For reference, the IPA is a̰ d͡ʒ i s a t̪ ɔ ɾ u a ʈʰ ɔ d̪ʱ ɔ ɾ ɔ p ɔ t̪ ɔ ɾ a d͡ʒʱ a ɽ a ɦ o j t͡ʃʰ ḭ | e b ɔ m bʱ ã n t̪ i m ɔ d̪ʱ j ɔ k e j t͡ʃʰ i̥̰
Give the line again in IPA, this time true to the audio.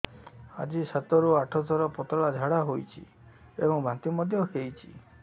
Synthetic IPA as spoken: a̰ d͡ʒ i s a t̪ ɔ ɾ u a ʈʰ ɔ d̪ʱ ɔ ɾ ɔ p ɔ t̪ ɔ ɭ a d͡ʒʱ a ɽ a ɦ o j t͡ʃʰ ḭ | e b ɔ ŋ bʱ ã n t̪ i m ɔ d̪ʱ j ɔ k e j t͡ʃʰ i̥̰